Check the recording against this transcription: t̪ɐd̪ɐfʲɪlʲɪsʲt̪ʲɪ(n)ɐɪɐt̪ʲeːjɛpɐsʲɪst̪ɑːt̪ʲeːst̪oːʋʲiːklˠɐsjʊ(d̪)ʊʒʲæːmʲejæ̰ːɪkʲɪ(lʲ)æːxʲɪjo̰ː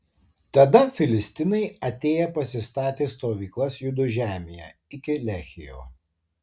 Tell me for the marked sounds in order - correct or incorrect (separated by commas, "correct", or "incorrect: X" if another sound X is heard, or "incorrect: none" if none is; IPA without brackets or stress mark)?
correct, correct, correct